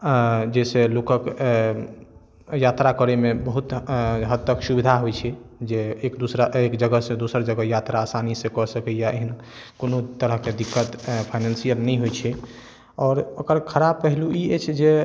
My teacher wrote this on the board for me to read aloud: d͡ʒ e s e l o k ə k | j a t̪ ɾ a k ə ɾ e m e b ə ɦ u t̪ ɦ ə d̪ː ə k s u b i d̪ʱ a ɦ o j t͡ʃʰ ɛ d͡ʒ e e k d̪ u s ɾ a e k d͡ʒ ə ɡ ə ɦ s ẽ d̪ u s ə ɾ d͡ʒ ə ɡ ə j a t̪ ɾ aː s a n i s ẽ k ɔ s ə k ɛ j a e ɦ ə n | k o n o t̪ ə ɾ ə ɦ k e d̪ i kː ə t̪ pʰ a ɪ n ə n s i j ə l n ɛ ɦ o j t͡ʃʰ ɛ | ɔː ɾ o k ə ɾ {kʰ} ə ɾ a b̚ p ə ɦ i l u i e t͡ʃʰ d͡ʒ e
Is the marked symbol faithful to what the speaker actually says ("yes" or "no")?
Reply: yes